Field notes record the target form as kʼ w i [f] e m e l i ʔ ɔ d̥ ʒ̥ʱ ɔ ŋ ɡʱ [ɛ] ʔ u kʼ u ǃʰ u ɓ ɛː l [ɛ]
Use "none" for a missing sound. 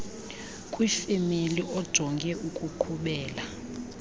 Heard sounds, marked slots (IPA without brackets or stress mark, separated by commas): f, ɛ, a